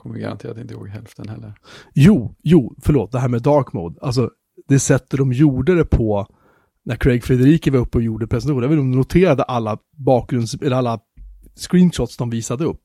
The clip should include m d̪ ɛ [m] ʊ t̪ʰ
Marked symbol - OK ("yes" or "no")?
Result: no